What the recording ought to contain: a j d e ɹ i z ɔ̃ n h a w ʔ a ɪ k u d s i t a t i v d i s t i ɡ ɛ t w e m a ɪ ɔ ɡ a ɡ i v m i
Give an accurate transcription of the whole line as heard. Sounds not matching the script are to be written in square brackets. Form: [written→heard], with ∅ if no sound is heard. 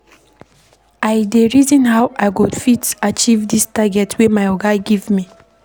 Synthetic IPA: a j d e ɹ i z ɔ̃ n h a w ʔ a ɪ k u d [s→f] i t a [t→t͡ʃ] i v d i s t [i→a] ɡ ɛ t w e m a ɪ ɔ ɡ a ɡ i v m i

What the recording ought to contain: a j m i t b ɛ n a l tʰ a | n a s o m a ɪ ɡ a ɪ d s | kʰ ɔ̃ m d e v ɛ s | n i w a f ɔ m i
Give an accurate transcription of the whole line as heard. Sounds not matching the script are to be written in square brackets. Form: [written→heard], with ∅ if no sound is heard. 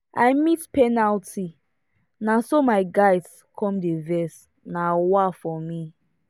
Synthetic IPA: a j m i t [b→p] ɛ n a l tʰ [a→i] | n a s o m a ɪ ɡ a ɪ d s | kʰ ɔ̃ m d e v ɛ s | n [i→a] w a f ɔ m i

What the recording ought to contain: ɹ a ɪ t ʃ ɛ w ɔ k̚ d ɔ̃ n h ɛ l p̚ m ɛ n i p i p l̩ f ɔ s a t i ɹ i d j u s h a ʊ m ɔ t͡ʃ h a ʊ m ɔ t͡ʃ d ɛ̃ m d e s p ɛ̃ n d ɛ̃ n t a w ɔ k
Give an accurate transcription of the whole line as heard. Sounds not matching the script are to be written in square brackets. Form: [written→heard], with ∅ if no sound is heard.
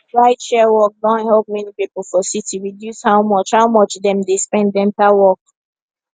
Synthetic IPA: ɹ a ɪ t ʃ ɛ w ɔ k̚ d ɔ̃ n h ɛ l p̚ m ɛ n i p i p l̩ f ɔ s [a→i] t i ɹ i d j u s h a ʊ m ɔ t͡ʃ h a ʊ m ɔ t͡ʃ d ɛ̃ m d e s p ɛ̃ n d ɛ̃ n t a w ɔ k

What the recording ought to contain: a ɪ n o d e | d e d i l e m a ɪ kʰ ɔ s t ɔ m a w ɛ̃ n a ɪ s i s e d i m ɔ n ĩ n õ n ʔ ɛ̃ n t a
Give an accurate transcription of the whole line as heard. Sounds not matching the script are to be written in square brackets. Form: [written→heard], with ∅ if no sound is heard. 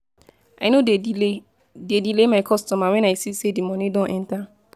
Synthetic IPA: a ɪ n o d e | d e d i l e m a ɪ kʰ ɔ s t ɔ m a w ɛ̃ n a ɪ s i s e d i m ɔ n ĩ [n→d] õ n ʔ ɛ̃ n t a

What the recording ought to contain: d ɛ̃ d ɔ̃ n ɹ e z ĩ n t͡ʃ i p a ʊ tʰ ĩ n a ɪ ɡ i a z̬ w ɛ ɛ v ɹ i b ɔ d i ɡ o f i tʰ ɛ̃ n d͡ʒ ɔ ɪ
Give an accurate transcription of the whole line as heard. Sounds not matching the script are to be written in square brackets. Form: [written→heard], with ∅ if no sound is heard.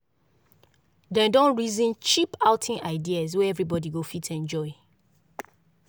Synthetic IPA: d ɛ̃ d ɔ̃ n ɹ [e→i] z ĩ n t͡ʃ i p a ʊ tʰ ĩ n a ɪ [ɡ→d] i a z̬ w ɛ ɛ v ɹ i b ɔ d i ɡ o f i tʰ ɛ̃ n d͡ʒ ɔ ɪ

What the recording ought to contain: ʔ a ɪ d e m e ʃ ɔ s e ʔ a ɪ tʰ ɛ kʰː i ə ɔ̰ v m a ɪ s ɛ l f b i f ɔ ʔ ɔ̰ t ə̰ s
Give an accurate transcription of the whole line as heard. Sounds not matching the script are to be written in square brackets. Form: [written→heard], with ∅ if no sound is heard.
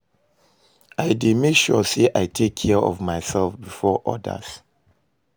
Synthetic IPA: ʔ a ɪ d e m e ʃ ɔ s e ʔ a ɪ tʰ [ɛ→e] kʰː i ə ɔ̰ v m a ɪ s ɛ l f b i f ɔ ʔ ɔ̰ [t→d] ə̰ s

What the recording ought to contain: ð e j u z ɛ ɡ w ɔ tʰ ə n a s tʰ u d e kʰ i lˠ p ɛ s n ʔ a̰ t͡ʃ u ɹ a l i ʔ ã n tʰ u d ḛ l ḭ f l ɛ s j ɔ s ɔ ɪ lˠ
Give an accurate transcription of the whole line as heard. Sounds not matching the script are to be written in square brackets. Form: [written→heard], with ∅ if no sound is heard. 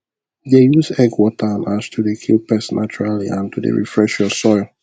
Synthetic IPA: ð e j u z ɛ ɡ w ɔ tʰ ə n a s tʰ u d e kʰ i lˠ p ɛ s n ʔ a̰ t͡ʃ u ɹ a l i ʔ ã n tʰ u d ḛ [l→ɹ] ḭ f [l→ɹ] ɛ [s→ʃ] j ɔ s ɔ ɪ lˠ

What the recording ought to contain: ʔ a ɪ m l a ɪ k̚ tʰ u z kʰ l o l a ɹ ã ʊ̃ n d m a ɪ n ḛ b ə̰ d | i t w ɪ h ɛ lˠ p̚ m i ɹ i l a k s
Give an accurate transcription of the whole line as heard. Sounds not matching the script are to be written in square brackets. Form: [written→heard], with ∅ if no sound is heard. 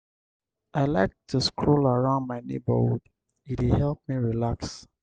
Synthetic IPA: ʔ a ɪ [m→∅] l a ɪ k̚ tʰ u [z→s] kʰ [l→ɹ] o l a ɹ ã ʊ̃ n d m a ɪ n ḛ b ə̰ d | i t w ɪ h ɛ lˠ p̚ m i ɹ i l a k s

